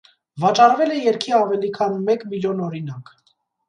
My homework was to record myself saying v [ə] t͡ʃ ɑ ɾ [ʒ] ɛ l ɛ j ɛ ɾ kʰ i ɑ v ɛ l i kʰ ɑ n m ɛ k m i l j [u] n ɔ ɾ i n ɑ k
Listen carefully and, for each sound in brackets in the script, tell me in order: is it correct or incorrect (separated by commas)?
incorrect, incorrect, incorrect